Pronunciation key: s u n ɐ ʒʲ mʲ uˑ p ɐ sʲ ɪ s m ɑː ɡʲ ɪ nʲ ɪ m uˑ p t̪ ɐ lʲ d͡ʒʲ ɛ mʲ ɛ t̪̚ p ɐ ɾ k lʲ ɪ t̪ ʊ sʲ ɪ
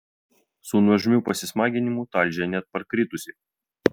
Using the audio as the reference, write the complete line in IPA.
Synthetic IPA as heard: s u n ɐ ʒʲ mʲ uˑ p ɐ sʲ ɪ s m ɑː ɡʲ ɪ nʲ ɪ m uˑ t̪ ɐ lʲ d͡ʒʲ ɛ nʲ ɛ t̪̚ p ɐ ɾ k ɾʲ ɪ t̪ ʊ sʲ ɪ